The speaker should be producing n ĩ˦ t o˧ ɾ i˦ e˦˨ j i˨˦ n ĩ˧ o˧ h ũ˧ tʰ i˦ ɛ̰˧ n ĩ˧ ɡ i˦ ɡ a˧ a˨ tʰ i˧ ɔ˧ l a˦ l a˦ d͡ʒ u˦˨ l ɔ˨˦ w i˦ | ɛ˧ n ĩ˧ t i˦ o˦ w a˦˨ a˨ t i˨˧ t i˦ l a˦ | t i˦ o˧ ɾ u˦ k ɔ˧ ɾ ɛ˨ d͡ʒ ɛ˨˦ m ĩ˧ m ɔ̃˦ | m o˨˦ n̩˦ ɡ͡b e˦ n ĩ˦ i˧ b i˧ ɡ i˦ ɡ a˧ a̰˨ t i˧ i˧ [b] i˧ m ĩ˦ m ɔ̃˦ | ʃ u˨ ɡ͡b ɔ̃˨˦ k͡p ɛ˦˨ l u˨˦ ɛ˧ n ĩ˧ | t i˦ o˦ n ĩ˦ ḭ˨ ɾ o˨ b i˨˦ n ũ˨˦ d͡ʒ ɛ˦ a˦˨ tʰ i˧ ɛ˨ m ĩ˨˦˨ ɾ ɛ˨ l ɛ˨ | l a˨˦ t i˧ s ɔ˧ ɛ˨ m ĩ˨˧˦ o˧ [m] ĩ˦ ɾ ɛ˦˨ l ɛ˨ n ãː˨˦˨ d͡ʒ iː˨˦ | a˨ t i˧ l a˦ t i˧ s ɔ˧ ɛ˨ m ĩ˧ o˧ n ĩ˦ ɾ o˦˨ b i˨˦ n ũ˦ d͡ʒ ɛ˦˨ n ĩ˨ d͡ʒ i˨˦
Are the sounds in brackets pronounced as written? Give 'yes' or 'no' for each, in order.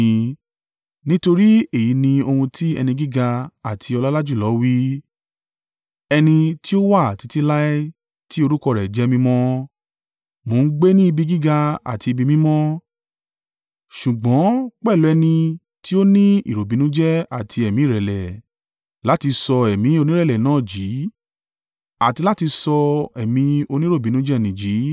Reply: yes, no

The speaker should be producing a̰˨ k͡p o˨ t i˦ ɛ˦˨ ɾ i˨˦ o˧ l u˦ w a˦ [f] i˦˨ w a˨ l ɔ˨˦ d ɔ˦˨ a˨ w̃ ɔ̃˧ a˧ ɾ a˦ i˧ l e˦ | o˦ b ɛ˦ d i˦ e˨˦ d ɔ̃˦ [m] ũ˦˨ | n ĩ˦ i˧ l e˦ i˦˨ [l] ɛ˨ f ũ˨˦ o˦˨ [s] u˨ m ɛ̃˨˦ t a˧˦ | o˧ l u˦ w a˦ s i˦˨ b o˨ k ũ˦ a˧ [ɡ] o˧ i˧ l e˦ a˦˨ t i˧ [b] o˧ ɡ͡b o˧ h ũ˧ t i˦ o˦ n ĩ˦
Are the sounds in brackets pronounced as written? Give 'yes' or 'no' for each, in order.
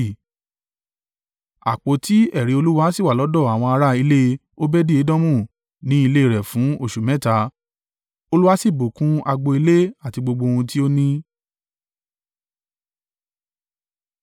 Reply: no, yes, no, no, no, no

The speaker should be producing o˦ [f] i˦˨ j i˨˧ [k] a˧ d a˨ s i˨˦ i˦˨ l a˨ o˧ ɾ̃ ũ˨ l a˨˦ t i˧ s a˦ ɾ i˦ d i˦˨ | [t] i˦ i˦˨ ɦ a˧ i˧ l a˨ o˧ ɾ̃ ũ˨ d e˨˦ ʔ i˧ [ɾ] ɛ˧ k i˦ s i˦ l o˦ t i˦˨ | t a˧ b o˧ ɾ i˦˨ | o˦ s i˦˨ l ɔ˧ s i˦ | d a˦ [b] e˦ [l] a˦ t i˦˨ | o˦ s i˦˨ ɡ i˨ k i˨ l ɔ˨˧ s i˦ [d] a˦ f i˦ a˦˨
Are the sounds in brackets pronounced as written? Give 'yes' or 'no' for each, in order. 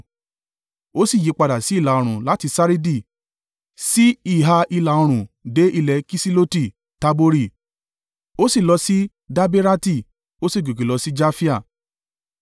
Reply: no, no, no, no, yes, no, no

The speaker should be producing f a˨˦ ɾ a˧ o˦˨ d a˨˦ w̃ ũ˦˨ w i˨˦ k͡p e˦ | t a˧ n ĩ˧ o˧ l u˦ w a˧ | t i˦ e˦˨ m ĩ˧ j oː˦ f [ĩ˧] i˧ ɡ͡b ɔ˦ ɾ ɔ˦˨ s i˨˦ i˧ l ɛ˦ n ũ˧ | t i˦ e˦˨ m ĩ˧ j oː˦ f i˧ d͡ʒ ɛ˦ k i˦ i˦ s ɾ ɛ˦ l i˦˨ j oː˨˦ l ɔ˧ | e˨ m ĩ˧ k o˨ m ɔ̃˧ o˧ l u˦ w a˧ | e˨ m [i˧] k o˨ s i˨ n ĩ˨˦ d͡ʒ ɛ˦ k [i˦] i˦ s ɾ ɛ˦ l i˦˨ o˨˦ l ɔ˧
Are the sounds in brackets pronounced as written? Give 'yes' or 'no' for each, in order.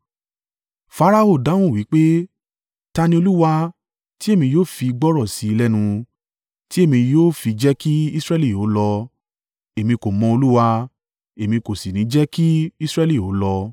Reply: no, no, yes

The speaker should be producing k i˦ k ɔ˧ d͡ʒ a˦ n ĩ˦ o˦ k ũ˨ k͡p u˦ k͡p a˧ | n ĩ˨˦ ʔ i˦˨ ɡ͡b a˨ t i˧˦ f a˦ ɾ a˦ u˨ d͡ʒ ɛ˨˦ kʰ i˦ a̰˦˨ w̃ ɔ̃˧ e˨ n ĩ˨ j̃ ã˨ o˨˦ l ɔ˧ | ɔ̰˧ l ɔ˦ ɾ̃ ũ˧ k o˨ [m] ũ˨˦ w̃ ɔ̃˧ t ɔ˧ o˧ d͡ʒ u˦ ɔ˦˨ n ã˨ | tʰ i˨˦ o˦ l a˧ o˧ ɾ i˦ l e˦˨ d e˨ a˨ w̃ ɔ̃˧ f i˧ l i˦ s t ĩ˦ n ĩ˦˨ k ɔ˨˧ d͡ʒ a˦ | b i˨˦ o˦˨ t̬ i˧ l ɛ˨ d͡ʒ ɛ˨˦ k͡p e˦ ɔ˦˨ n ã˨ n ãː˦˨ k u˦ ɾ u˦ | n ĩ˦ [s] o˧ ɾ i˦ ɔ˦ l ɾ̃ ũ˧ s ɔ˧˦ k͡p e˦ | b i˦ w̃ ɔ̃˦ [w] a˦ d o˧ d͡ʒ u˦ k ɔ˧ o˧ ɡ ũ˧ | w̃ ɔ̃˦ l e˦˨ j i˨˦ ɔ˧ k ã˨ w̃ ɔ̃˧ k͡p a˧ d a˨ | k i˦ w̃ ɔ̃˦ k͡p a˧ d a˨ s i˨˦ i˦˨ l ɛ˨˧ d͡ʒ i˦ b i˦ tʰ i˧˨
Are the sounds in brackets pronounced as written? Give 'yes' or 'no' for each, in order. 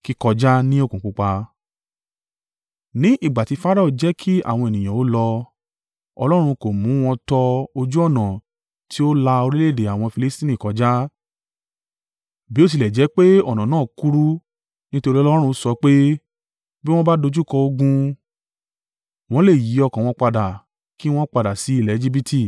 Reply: yes, no, no

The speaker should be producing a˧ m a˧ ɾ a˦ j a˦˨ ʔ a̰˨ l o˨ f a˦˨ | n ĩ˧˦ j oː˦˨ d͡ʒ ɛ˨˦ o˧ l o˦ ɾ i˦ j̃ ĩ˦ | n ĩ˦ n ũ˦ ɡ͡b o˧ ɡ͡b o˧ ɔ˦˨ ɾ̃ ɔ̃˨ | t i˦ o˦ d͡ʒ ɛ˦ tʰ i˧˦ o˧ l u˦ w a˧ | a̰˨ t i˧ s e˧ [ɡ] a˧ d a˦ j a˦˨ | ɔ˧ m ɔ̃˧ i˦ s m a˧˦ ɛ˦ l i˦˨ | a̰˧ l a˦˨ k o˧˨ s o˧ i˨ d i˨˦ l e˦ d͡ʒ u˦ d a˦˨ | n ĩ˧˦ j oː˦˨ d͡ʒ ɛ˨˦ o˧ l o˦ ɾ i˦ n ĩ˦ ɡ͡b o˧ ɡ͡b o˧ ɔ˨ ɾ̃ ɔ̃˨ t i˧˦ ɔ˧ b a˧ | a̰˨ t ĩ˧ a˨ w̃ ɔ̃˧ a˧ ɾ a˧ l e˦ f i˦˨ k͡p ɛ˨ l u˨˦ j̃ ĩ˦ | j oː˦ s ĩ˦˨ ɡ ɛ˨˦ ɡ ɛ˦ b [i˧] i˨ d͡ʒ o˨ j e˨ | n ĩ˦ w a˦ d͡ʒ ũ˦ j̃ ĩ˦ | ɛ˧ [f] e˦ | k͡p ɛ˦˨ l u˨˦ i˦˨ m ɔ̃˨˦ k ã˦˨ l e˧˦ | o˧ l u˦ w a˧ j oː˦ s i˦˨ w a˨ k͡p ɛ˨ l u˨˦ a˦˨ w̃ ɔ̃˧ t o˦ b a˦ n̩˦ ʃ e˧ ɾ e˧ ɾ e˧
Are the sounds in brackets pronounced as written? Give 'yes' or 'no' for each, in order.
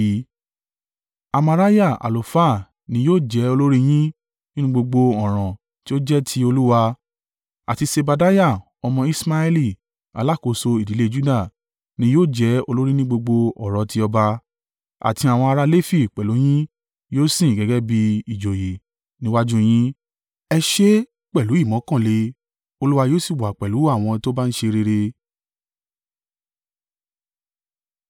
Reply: no, yes, no

